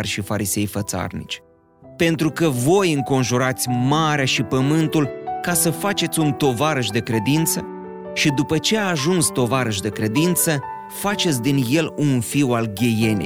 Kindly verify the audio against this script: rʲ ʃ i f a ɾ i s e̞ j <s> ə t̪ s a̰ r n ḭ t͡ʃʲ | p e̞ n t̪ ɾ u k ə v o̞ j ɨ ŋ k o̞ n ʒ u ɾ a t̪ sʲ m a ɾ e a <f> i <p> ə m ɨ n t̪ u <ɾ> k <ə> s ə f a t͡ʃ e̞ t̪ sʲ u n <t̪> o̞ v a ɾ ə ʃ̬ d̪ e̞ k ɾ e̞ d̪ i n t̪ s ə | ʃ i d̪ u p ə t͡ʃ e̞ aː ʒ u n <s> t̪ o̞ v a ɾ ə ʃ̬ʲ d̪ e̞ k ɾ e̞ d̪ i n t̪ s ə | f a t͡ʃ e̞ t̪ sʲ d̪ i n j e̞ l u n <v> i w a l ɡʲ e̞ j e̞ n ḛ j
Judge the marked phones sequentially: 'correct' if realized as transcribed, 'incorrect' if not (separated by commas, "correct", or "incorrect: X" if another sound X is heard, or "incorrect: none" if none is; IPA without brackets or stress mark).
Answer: incorrect: f, incorrect: ʃ, correct, incorrect: l, incorrect: a, correct, correct, incorrect: f